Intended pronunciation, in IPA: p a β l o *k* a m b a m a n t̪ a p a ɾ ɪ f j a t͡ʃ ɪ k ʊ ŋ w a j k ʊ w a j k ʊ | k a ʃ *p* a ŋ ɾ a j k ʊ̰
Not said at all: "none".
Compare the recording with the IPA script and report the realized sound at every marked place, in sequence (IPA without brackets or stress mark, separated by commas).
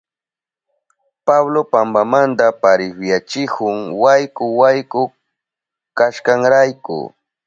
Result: p, k